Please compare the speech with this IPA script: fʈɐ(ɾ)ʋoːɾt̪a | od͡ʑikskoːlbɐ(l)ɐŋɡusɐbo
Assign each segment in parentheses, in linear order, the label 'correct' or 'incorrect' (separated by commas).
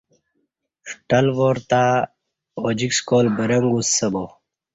incorrect, incorrect